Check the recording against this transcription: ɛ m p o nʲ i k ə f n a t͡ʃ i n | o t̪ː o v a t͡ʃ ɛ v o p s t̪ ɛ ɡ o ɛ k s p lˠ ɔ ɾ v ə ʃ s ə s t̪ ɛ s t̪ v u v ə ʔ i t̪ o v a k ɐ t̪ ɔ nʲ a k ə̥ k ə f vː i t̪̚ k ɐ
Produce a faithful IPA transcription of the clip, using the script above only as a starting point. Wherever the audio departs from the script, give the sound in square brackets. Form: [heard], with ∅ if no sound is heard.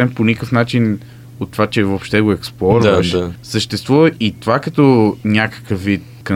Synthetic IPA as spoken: ɛ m p o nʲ i k ə f n a t͡ʃ i n | o t̪ː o v a t͡ʃ ɛ v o p [ʃ] t̪ ɛ ɡ o ɛ k s p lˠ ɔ ɾ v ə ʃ s ə [ʃ] t̪ ɛ s t̪ v u v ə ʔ i t̪ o v a k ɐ t̪ ɔ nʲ a k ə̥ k ə f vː i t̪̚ k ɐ